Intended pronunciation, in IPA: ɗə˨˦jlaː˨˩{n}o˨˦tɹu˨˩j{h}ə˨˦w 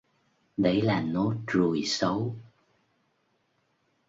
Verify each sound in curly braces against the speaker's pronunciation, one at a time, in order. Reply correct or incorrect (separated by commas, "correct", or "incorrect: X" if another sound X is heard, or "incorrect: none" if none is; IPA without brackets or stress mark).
correct, incorrect: s